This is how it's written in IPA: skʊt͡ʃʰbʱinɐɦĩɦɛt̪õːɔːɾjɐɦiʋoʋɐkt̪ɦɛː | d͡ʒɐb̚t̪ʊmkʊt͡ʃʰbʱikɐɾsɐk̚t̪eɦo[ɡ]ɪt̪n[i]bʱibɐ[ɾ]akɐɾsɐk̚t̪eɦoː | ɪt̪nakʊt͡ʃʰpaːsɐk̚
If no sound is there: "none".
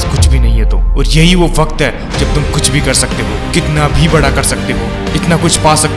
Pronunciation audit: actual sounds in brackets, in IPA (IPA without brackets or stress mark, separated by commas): k, a, ɽ